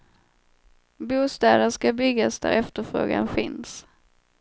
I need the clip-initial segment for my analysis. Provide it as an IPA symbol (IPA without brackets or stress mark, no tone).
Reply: b